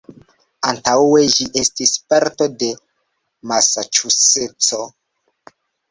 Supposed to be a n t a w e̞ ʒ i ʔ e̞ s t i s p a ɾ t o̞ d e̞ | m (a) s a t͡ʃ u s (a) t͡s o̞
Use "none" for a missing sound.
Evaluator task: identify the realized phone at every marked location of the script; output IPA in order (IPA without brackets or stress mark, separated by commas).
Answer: a, e